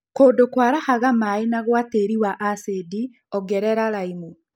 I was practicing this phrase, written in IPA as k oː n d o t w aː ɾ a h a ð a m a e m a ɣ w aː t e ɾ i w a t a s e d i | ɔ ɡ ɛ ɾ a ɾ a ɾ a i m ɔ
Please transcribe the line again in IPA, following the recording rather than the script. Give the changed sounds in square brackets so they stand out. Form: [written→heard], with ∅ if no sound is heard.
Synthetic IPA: k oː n d o [t→k] w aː ɾ a h a [ð→ɣ] a m a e [m→n] a ɣ w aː t e ɾ i w a [t→ʔ] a s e d i | ɔ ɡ ɛ ɾ [a→ɛ] ɾ a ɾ a i m [ɔ→u]